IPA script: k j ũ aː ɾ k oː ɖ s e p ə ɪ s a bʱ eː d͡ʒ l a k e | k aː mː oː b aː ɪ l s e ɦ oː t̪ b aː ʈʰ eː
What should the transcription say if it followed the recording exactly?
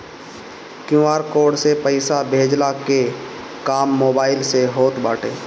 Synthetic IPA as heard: k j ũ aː ɾ k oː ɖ s e p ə ɪ s a bʱ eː d͡ʒ l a k e | k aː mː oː b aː ɪ l s e ɦ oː t̪ b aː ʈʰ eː